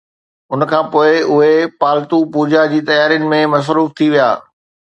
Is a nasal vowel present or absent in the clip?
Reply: present